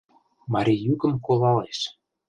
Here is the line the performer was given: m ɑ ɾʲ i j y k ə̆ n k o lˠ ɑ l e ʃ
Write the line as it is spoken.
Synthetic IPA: m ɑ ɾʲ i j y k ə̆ m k o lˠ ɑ l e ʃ